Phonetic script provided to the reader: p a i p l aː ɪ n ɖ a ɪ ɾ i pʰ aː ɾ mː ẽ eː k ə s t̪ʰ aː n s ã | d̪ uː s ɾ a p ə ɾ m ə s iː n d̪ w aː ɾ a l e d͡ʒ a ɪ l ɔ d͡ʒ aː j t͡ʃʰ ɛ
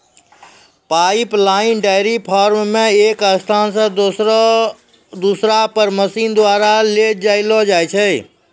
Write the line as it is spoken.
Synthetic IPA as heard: p a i p l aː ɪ n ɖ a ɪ ɾ i pʰ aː ɾ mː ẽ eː k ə s t̪ʰ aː n s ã | d̪ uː s ɾ a p ə ɾ m ə s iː n d̪ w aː ɾ a l e d͡ʒ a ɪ l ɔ d͡ʒ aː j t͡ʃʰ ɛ